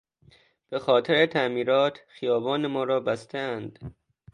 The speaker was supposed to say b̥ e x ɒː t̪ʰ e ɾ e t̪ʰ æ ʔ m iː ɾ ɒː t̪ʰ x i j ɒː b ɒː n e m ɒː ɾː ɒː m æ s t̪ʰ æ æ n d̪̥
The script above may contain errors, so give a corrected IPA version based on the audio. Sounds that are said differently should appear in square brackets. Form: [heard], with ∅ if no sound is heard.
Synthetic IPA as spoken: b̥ e x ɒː t̪ʰ e ɾ e t̪ʰ æ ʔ m iː ɾ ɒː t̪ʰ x i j ɒː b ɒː n e m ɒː [ɾ] ɒː [b] æ s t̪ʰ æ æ n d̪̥